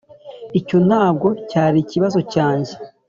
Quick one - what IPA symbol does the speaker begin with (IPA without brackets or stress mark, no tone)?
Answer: i